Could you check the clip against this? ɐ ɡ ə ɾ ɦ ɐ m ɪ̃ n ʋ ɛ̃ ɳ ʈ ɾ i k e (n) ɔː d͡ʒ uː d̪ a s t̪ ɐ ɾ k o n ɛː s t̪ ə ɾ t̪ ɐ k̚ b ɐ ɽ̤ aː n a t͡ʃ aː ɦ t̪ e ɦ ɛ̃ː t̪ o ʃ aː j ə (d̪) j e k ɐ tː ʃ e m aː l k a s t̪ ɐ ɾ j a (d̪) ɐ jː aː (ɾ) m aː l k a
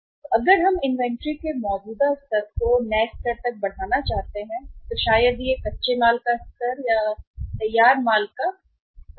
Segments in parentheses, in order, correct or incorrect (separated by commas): incorrect, correct, incorrect, correct